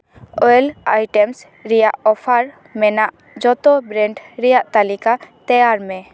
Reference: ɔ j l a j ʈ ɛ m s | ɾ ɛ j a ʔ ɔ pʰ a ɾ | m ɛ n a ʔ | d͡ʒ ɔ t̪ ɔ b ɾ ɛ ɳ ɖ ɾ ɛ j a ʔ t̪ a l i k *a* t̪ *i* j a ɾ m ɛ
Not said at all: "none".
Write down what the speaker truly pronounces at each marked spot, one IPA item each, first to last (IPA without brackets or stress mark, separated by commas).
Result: a, ɛ